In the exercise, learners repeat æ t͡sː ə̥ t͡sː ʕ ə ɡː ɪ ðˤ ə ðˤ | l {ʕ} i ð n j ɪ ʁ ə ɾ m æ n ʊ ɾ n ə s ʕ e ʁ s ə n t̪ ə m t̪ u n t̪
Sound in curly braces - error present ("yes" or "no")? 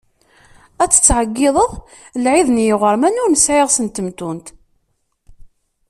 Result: no